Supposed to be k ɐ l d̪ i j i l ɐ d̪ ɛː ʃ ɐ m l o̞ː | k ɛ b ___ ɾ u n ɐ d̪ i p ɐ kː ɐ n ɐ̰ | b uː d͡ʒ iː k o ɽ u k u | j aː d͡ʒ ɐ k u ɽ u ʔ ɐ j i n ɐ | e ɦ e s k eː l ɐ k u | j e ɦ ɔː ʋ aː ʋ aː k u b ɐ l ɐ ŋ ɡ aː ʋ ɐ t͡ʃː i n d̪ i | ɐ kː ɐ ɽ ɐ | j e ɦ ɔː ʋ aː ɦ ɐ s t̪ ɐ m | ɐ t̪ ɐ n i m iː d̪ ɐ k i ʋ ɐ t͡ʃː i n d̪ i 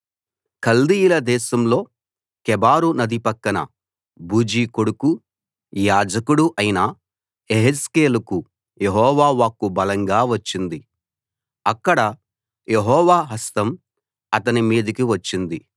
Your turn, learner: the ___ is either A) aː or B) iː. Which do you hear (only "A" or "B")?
A